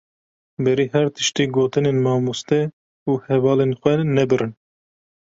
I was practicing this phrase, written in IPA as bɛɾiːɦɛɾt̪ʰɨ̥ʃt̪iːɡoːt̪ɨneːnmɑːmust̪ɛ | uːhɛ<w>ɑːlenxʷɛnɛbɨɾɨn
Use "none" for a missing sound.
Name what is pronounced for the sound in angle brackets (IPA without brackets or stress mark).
v